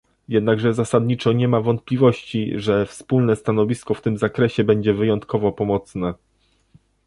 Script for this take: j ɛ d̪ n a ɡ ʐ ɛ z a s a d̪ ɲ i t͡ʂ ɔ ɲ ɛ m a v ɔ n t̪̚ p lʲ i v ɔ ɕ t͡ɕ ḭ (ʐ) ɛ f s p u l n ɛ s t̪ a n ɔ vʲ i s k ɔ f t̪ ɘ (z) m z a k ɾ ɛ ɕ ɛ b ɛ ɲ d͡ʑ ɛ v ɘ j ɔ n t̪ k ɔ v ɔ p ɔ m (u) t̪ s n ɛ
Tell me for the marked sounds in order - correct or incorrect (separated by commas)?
correct, incorrect, incorrect